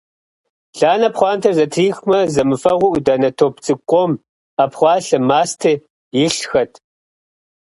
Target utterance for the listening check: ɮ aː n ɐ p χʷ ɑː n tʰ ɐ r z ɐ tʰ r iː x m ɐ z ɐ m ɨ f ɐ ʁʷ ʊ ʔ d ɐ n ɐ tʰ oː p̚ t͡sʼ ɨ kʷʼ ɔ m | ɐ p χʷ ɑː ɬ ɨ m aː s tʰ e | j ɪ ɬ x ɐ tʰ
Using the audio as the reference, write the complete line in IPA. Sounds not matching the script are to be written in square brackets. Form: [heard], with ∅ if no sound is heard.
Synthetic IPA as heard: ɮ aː n ɐ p χʷ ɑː n tʰ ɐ r z ɐ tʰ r iː x m ɐ z ɐ m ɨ f ɐ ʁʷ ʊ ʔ d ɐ n ɐ tʰ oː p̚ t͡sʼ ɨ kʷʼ ɔ m | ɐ p χʷ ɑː ɬ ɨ m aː s tʰ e | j ɪ ɬ x ɐ tʰ